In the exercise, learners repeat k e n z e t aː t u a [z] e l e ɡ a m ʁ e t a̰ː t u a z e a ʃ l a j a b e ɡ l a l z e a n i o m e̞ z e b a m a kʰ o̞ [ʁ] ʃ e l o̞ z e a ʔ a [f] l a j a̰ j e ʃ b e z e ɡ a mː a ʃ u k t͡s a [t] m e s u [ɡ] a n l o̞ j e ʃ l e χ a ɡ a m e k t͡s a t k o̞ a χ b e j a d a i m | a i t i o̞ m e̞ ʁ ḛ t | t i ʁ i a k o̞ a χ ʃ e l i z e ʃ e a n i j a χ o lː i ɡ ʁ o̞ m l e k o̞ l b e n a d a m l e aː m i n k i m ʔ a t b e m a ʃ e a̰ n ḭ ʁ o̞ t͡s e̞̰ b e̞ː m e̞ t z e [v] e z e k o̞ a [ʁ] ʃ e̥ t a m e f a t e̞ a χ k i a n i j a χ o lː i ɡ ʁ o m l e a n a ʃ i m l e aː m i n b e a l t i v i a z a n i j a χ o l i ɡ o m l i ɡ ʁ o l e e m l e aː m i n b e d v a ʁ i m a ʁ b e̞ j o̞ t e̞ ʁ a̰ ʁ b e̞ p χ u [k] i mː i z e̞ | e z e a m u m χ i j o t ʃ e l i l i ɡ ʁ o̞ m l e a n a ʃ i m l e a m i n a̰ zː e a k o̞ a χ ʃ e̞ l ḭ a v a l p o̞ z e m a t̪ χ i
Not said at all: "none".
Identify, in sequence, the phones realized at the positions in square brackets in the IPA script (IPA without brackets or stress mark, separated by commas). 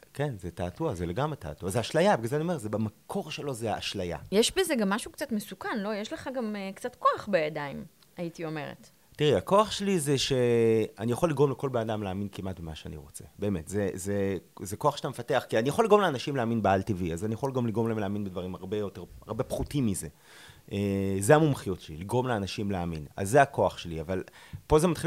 z, ʁ, ʃ, t, k, z, χ, t